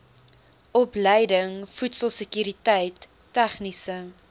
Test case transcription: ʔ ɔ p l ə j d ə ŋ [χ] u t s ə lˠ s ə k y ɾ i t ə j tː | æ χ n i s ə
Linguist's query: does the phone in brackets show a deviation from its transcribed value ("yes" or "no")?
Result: yes